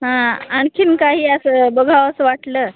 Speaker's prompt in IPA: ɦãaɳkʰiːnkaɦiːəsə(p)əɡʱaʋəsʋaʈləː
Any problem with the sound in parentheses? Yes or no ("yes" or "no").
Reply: yes